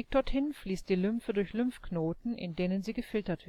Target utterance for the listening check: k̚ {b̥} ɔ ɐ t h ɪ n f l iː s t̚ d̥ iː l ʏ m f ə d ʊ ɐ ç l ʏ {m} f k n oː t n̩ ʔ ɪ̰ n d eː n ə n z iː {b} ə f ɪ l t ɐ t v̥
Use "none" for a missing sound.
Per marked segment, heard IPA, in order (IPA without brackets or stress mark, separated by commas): d̥, m, ɡ